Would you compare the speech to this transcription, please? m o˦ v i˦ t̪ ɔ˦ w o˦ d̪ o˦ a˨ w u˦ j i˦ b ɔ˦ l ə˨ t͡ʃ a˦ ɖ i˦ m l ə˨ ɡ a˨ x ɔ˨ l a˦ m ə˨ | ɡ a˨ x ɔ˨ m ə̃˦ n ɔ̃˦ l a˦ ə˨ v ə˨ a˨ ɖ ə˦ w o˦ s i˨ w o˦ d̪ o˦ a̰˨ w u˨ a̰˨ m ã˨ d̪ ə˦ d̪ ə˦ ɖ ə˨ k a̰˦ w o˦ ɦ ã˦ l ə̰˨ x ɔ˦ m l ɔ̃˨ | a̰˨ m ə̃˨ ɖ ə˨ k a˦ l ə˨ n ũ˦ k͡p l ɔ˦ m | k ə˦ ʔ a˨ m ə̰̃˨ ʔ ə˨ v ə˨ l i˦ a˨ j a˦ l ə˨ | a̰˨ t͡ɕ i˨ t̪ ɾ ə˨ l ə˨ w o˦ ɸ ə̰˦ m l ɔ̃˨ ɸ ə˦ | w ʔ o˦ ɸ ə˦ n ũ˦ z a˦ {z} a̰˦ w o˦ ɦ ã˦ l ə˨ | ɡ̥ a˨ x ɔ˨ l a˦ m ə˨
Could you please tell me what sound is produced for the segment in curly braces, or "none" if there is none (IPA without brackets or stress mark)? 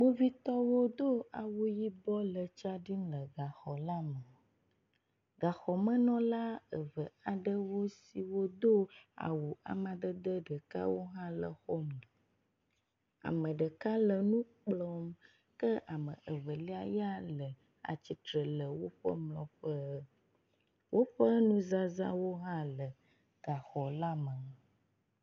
z